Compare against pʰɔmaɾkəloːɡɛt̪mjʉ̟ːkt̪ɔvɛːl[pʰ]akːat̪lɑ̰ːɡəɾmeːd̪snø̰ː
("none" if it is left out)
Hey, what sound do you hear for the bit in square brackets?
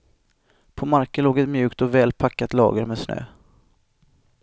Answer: pʰ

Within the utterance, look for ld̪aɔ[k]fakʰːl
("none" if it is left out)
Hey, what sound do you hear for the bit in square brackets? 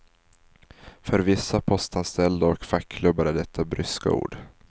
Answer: k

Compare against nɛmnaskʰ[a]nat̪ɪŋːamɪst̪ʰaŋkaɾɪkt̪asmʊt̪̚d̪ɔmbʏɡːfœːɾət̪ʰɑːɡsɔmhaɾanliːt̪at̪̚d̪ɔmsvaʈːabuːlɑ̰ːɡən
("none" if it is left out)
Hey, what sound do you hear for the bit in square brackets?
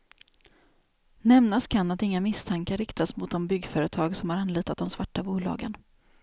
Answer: a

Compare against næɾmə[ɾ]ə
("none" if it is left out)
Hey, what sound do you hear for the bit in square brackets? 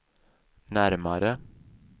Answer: ɾ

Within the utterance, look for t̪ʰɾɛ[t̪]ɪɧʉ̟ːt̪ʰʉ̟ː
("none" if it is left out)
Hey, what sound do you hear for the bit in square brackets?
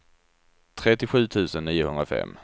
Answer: t̪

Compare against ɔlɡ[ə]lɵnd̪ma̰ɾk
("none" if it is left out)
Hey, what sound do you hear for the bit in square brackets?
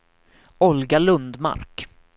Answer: a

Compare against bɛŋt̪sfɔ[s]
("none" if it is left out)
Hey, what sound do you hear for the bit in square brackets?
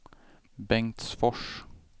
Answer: ʂ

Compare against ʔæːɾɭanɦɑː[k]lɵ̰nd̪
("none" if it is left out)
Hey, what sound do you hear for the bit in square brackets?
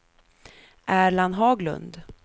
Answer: ɡ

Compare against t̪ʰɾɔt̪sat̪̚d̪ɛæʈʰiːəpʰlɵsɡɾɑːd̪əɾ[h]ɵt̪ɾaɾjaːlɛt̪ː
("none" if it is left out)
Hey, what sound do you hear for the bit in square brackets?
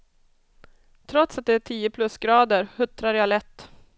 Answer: h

